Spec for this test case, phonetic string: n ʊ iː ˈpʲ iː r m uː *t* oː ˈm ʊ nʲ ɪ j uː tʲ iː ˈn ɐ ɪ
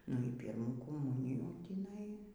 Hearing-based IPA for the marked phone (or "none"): k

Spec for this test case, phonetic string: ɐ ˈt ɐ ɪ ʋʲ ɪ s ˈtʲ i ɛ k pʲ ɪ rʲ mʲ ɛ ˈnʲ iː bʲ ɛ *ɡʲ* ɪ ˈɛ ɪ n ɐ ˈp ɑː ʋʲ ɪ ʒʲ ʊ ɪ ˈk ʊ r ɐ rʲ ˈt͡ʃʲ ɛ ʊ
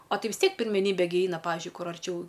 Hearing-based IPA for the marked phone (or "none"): ɡʲ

